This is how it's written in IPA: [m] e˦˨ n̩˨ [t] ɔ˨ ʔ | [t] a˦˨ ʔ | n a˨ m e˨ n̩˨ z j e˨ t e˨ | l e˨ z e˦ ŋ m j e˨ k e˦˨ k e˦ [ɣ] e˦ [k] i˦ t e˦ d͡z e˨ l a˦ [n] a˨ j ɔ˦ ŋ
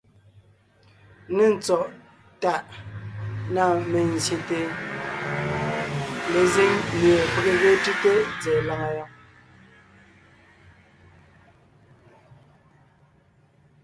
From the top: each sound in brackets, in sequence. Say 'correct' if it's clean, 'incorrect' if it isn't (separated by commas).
incorrect, incorrect, correct, correct, incorrect, incorrect